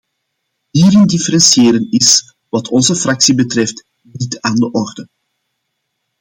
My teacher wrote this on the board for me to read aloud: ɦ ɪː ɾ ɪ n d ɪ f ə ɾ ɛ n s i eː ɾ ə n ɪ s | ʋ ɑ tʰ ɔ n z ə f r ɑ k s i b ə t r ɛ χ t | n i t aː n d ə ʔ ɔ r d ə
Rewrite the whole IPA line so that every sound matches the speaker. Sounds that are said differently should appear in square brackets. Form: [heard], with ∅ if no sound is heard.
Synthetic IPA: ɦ [iː] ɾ ɪ n d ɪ f ə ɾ ɛ n s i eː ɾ ə n ɪ s | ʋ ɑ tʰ ɔ n z ə f r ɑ k s i b ə t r ɛ [f] t | n i t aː n d ə ʔ ɔ r d ə